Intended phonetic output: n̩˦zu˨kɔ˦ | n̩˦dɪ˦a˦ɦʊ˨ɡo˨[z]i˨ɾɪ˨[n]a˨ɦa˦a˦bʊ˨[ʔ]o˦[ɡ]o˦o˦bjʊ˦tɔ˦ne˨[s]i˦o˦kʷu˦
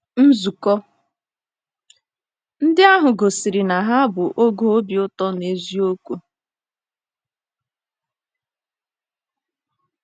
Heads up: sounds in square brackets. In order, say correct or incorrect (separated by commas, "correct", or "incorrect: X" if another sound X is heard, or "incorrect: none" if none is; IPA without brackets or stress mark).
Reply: incorrect: s, correct, correct, correct, incorrect: z